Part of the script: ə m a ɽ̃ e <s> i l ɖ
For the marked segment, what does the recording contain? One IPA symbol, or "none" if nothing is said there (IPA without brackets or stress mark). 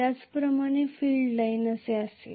f